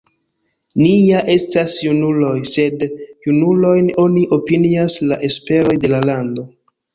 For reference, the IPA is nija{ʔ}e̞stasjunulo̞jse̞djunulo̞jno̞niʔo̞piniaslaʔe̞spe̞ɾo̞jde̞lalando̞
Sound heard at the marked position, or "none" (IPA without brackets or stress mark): ʔ